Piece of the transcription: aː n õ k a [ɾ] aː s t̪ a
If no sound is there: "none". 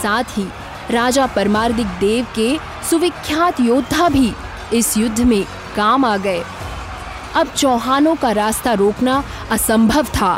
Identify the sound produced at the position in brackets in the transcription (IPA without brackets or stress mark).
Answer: ɾ